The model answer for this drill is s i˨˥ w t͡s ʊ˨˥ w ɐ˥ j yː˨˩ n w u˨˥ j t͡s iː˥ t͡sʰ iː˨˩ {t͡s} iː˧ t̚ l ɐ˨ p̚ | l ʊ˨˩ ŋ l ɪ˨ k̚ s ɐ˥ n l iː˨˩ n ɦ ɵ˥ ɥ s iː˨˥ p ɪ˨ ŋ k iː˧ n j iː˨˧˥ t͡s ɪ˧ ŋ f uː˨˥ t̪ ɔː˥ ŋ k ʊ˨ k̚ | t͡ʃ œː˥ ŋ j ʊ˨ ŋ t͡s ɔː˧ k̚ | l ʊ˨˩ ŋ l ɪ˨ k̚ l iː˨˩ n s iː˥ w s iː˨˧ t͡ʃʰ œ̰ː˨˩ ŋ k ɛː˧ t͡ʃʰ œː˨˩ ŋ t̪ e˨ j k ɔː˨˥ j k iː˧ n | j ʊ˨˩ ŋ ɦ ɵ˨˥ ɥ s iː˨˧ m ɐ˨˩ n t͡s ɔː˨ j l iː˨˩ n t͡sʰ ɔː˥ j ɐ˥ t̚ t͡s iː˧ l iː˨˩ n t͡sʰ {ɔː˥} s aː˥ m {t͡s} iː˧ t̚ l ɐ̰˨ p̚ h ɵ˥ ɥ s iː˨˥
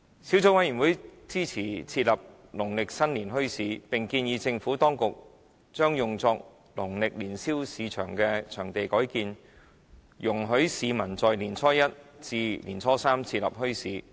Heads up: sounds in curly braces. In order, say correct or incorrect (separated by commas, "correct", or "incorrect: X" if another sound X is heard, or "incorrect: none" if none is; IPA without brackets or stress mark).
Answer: incorrect: t͡sʰ, correct, incorrect: t͡sʰ